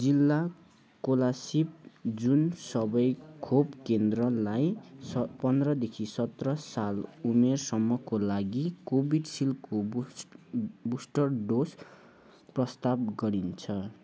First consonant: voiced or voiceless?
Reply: voiced